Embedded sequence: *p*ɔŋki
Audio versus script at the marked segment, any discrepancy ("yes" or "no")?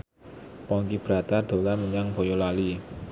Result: no